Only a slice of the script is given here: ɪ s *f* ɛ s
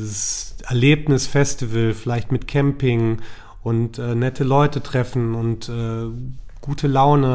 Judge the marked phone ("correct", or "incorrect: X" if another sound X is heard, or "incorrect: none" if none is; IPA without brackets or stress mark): correct